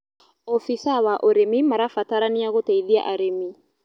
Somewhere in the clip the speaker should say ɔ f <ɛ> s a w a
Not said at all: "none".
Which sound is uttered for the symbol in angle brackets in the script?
i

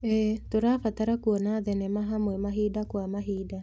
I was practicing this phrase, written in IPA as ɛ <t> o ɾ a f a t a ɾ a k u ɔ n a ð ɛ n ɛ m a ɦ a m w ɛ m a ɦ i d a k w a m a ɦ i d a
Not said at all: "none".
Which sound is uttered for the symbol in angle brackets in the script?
t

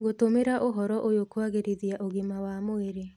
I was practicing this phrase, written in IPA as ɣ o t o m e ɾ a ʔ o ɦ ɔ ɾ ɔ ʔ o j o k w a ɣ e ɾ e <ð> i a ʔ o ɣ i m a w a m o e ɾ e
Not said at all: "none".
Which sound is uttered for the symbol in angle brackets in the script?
ð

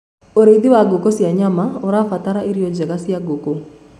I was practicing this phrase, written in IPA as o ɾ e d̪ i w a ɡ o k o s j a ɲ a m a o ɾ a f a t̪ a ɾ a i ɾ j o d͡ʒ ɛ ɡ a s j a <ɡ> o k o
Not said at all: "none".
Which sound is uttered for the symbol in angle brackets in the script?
ɡ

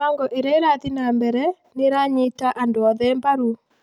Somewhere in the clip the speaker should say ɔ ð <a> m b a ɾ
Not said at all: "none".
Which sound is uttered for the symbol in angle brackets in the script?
ɛ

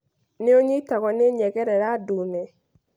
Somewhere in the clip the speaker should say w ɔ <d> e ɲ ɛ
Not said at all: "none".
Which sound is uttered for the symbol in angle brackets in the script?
n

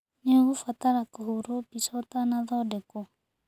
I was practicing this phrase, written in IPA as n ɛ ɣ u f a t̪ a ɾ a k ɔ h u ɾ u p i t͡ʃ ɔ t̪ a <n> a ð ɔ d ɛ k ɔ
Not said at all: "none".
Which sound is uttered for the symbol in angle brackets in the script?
n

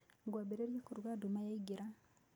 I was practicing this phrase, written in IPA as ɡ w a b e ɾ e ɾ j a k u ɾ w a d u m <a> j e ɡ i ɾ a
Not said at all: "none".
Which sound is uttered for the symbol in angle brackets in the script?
a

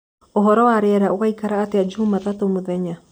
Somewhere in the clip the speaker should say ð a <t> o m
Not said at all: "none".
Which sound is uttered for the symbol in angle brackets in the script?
t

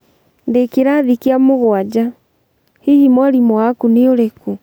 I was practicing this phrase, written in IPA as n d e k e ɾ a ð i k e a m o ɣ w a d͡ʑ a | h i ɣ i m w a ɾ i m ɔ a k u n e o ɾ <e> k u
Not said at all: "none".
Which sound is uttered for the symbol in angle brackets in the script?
e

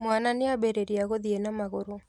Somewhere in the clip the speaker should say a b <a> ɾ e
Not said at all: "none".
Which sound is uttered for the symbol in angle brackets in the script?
e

